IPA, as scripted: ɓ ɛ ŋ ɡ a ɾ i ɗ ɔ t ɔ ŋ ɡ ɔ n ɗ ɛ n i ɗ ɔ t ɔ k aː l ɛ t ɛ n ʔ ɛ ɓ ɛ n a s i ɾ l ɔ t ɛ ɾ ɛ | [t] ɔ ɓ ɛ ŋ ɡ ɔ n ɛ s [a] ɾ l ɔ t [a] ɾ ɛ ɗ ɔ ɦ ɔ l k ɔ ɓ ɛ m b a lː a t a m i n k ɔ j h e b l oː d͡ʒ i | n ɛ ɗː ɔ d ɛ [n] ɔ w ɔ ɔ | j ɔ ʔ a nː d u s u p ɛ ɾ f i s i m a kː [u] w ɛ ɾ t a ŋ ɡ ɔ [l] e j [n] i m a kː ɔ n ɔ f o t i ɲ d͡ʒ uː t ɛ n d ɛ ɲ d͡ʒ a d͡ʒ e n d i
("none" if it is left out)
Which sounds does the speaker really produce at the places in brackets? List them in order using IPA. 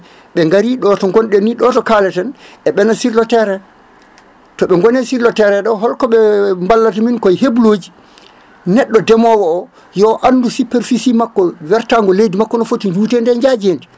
t, i, ɛ, m, ɔ, l, d

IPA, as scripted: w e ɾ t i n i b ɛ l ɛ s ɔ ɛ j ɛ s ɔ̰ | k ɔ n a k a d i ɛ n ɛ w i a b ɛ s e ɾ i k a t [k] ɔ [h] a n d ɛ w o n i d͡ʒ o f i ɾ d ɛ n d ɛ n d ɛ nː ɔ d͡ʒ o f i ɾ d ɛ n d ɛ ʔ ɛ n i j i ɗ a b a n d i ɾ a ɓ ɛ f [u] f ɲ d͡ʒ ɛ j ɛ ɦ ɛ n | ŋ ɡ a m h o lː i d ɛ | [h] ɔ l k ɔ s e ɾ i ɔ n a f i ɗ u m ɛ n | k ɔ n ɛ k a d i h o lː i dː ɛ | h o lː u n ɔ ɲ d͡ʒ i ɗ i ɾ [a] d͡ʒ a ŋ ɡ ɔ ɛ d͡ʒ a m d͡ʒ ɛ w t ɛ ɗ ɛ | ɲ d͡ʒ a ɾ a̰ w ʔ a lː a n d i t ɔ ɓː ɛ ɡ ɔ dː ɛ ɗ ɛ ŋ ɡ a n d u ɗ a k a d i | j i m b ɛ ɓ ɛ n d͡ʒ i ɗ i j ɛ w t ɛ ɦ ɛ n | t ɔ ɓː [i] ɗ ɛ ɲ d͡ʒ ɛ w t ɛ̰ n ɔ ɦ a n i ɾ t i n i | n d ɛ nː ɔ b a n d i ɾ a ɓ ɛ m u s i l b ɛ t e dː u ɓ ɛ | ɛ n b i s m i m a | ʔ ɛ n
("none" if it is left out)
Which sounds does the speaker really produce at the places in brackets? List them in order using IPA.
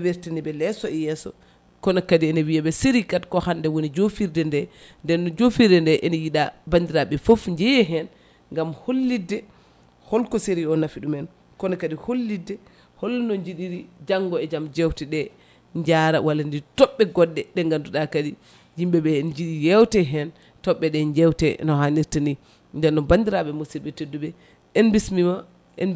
k, h, o, h, i, ɛ

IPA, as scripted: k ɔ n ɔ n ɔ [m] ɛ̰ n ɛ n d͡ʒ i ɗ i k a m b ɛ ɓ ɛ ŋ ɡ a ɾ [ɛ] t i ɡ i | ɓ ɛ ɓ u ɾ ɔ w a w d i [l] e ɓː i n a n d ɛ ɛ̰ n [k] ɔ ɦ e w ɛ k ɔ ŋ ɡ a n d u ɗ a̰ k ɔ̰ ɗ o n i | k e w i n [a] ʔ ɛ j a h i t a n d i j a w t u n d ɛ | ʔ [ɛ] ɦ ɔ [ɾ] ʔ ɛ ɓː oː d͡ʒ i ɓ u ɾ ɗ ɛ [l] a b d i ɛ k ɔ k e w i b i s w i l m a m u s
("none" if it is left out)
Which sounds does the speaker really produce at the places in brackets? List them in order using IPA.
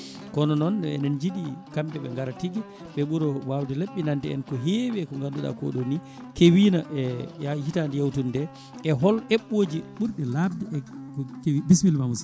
n, a, l, k, a, ɛ, l, l

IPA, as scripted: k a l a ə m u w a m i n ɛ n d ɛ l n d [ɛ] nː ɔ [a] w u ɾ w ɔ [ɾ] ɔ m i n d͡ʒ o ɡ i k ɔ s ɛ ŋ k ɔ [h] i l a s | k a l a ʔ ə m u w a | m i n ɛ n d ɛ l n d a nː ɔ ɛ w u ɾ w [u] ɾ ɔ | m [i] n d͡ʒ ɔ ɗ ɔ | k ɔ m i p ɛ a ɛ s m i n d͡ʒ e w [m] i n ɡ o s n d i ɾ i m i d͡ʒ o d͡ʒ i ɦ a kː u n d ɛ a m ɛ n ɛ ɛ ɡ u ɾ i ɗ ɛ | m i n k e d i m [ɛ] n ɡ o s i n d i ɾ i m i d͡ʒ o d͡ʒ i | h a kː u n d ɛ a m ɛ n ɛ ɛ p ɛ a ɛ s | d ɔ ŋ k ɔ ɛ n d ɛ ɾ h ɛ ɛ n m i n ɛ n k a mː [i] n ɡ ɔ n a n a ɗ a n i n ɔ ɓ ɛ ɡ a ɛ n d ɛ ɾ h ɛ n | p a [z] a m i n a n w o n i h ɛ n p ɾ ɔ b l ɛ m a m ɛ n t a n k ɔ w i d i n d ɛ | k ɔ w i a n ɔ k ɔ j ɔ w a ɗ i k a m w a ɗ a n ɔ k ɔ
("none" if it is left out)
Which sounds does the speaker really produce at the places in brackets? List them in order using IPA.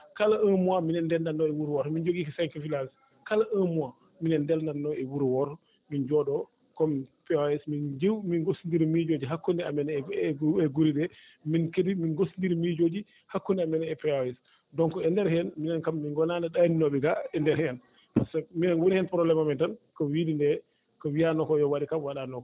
a, ɛ, ɾ, f, ɔ, i, m, i, i, s

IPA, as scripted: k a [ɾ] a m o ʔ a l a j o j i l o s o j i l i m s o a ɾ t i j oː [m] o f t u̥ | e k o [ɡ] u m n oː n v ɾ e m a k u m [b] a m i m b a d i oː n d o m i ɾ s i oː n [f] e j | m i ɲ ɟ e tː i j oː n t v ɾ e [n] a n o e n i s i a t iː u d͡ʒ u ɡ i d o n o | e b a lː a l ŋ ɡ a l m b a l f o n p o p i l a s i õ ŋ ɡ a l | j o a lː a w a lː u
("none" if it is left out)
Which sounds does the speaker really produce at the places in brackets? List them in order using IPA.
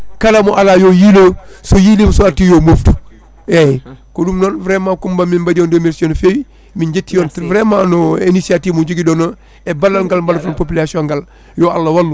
l, m, d, b, f, m

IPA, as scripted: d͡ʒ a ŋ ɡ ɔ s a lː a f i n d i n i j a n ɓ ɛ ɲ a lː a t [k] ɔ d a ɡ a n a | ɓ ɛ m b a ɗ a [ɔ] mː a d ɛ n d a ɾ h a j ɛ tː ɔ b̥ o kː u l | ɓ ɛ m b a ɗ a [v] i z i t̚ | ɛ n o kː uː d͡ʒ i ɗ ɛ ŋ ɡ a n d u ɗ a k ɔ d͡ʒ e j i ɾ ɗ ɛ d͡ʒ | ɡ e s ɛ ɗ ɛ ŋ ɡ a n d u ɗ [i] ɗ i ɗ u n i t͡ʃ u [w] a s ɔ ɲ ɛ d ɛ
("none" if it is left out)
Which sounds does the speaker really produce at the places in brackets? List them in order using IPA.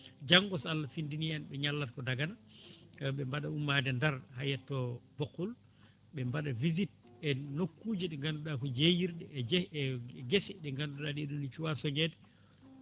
k, u, v, a, w

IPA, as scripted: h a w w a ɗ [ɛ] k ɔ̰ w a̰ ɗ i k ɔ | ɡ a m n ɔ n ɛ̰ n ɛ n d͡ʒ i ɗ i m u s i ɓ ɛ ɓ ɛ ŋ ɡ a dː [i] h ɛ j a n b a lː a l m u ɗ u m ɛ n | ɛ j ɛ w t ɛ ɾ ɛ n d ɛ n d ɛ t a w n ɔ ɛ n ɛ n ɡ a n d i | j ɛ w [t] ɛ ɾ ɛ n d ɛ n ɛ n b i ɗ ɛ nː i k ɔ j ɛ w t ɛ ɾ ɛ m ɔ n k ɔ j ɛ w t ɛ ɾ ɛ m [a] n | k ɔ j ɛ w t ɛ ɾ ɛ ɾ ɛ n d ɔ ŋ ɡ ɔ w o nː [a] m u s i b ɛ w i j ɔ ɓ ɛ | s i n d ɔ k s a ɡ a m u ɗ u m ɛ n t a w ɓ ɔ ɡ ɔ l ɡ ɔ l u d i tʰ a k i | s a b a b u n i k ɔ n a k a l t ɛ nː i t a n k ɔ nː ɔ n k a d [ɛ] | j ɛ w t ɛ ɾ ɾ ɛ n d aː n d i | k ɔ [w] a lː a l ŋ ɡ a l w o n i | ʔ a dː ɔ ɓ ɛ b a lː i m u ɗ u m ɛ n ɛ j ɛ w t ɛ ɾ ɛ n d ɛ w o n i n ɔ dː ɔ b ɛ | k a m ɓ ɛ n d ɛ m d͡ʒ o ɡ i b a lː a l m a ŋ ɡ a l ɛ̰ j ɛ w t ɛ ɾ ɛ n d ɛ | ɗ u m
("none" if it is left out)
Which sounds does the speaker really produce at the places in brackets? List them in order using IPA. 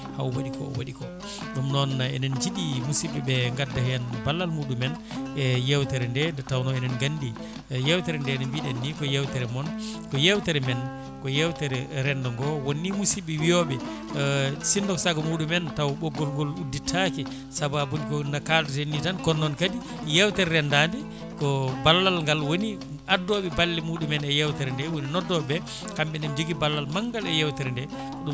i, a, t, ɛ, i, i, b

